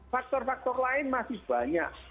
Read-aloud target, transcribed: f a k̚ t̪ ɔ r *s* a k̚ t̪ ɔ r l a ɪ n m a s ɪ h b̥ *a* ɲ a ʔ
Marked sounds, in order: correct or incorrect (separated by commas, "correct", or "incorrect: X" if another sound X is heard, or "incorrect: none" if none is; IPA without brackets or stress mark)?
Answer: incorrect: f, correct